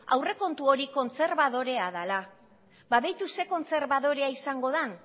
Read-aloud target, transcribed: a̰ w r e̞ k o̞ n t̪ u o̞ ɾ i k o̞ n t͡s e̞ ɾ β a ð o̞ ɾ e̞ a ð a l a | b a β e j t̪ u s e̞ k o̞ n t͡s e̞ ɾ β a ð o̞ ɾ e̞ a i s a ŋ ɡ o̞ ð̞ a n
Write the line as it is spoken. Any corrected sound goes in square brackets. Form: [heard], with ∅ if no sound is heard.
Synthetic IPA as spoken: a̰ w r e̞ k o̞ n t̪ u o̞ ɾ i k o̞ n t͡s e̞ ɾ β a ð o̞ ɾ e̞ a ð a l a | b a β e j t̪ u s e̞ k o̞ n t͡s e̞ ɾ β a ð o̞ ɾ e̞ a i s a ŋ ɡ o̞ ð̞ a n